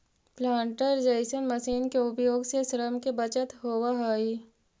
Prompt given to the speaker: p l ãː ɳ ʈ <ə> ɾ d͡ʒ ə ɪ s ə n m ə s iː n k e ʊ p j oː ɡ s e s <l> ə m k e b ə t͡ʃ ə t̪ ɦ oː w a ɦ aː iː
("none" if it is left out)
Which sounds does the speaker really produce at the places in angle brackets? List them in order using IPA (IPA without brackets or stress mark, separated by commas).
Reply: ə, ɾ